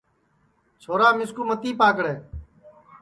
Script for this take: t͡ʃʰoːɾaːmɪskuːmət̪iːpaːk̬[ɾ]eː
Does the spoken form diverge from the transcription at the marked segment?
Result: yes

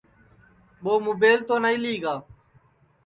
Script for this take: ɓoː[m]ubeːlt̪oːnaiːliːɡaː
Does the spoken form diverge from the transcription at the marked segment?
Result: no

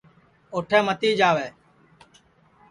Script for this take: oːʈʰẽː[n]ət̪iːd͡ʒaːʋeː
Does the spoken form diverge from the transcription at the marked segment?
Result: yes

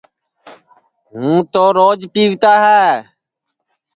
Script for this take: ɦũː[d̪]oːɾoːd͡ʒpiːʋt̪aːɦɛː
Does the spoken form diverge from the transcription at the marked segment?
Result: yes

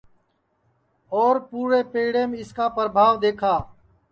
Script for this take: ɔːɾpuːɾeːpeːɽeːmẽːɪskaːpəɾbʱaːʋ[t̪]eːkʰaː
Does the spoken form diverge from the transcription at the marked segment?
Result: yes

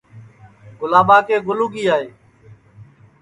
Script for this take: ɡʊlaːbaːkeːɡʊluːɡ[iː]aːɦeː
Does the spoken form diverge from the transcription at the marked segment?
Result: no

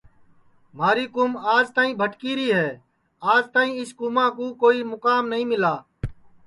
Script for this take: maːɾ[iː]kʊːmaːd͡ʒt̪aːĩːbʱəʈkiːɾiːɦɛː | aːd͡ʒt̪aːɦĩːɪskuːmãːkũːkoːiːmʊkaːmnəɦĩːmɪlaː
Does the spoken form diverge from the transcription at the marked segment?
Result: no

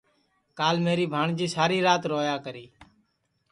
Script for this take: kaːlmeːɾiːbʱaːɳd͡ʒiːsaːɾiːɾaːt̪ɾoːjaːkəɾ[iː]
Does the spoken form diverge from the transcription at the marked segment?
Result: no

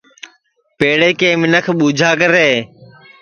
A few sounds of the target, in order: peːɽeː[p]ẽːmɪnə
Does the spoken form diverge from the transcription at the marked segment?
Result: yes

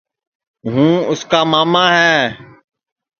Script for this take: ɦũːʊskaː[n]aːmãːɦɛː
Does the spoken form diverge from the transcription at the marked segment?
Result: yes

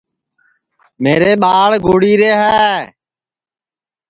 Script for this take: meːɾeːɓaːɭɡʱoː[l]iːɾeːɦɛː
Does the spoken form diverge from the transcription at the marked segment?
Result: yes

